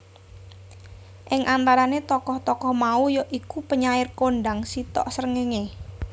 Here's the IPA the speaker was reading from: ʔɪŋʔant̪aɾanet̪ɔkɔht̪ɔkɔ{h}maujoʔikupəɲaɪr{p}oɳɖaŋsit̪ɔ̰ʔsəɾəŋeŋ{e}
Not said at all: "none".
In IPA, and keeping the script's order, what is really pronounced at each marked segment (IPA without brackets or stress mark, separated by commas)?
h, k, e